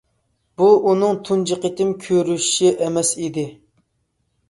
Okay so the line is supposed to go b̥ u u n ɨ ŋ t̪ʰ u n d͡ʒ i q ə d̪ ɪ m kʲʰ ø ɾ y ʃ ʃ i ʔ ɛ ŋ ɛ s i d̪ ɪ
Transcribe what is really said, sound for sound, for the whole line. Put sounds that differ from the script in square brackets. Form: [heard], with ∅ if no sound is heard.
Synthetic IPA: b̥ u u n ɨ ŋ t̪ʰ u n d͡ʒ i q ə [t̪] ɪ m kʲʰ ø ɾ y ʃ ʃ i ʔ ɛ [m] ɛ s i d̪ ɪ